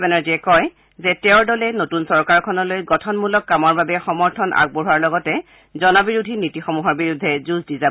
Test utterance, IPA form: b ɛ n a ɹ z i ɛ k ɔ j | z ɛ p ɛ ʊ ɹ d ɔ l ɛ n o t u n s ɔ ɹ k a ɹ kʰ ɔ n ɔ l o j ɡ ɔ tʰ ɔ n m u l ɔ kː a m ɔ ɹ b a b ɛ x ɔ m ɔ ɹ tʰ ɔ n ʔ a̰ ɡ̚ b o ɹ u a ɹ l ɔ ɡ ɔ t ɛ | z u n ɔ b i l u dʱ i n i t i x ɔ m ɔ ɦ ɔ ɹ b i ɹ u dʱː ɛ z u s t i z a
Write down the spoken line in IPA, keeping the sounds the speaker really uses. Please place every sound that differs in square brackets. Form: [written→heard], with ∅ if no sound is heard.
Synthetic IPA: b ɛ n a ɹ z i ɛ k ɔ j | z ɛ [p→t] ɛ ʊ ɹ d ɔ l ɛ n o t u n s ɔ ɹ k a ɹ kʰ ɔ n ɔ l o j ɡ ɔ tʰ ɔ n m u l ɔ kː a m ɔ ɹ b a b ɛ x ɔ m ɔ ɹ tʰ ɔ n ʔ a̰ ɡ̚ b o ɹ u a ɹ l ɔ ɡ ɔ t ɛ | z [u→ɔ] n ɔ b i [l→ɹ] u dʱ i n i t i x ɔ m [ɔ→u] ɦ ɔ ɹ b i ɹ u dʱː ɛ z u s [t→d] i z a